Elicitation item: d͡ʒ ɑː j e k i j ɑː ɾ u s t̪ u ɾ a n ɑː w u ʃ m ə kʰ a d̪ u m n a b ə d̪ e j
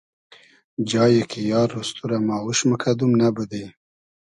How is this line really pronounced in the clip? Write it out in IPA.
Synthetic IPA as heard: d͡ʒ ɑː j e k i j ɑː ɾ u s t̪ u ɾ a m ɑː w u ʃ m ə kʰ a d̪ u m n a b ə d̪ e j